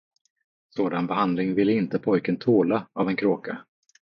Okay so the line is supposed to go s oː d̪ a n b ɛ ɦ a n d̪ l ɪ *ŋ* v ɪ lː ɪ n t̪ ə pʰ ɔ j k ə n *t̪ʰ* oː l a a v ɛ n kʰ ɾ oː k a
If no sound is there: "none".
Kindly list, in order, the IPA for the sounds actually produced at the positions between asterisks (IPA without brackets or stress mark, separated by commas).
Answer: ŋ, t̪ʰ